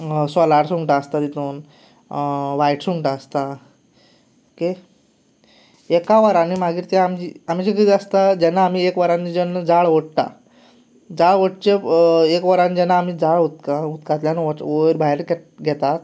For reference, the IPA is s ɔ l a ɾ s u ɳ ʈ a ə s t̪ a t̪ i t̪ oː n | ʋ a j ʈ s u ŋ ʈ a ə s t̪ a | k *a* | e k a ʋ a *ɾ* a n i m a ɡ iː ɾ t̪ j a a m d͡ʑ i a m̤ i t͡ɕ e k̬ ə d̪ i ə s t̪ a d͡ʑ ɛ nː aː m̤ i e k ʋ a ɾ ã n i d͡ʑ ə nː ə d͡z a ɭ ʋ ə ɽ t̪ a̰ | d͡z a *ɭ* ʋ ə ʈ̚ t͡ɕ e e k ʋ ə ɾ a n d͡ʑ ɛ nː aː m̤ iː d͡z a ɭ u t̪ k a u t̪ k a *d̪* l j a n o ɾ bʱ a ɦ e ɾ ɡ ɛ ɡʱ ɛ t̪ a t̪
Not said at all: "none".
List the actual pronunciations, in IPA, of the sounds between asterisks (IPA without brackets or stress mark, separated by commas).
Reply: e, ɾ, ɭ, t̪